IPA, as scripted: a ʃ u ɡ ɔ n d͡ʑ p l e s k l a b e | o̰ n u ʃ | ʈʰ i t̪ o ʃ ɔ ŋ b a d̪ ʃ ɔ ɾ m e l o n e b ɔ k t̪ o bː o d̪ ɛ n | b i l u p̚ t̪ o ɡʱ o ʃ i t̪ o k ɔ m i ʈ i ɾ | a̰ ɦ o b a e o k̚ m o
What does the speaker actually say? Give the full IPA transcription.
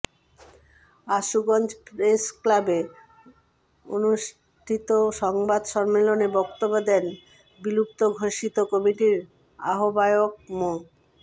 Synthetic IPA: a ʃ u ɡ ɔ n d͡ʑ p ɾ e s k l a b e | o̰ n u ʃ | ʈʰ i t̪ o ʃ ɔ ŋ b a d̪ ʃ ɔ ɾ m e l o n e b ɔ k t̪ o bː o d̪ ɛ n | b i l u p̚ t̪ o ɡʱ o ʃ i t̪ o k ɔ m i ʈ i ɾ | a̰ ɦ o b a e o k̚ m o